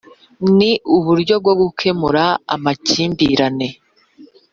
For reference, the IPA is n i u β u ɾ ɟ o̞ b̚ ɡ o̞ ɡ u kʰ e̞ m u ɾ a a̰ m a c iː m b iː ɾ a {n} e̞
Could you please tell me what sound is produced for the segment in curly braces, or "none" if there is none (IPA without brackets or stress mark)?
n